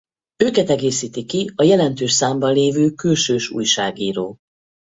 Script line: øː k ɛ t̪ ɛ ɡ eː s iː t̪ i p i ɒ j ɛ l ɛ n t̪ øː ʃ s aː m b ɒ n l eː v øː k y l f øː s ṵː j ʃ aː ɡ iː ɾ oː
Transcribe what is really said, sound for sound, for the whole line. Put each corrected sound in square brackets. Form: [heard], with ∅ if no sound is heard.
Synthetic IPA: øː k ɛ t̪ ɛ ɡ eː s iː t̪ i [k] i ɒ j ɛ l ɛ n t̪ øː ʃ s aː m b ɒ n l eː v øː k y l [ʃ] øː [ʃ] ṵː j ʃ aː ɡ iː ɾ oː